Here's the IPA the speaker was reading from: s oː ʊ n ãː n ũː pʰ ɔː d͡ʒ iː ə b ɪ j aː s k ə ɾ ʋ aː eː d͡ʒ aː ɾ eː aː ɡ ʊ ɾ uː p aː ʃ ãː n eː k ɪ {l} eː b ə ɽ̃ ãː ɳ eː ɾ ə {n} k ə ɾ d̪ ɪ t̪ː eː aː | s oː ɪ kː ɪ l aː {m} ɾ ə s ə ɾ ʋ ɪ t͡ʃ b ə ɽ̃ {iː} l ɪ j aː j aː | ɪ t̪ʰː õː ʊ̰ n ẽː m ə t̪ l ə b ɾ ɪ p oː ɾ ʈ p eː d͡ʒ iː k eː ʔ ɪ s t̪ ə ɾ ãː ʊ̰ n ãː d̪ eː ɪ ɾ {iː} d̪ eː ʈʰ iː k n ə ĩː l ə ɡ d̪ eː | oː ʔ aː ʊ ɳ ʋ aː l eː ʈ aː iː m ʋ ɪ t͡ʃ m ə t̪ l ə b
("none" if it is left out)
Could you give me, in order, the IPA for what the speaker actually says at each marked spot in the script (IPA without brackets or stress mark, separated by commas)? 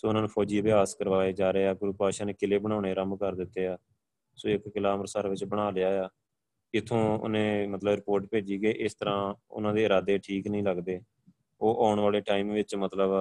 l, m, m, aː, aː